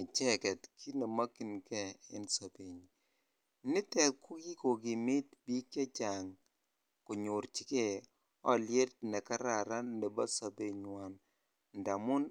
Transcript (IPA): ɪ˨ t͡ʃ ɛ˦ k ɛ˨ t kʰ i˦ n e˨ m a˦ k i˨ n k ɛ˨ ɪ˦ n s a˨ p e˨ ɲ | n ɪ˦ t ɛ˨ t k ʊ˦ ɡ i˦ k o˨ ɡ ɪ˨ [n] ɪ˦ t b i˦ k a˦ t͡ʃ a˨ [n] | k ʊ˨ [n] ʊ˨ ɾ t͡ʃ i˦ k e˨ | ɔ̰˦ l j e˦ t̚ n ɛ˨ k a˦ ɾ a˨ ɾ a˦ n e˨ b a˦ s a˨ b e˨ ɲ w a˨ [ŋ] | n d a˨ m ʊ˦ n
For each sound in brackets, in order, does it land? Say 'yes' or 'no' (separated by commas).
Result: no, no, no, no